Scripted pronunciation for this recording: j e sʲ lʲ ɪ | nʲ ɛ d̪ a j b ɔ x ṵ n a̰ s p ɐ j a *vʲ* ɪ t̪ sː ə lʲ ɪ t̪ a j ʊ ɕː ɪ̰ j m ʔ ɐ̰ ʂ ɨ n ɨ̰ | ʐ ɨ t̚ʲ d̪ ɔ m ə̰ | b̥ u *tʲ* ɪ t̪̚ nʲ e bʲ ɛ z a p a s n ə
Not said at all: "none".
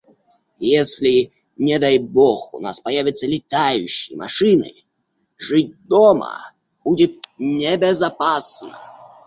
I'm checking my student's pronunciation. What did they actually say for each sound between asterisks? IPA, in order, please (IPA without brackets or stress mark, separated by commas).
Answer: vʲ, dʲ